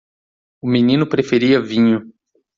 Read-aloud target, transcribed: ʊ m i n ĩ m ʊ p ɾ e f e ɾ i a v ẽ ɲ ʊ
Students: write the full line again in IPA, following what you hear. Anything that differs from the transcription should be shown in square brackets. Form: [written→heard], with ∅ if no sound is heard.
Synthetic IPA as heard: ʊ m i n ĩ [m→n] ʊ p ɾ e f e ɾ i [a→ɐ] v [ẽ→ĩ] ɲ ʊ